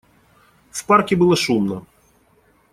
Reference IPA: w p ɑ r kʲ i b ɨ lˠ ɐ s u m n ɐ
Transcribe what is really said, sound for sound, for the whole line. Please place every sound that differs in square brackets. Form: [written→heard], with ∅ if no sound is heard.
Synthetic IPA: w p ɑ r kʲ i b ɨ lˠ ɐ [s→ʃ] u m n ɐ